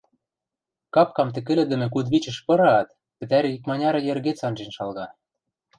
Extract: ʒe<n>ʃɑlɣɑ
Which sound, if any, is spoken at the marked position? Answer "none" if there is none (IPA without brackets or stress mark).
n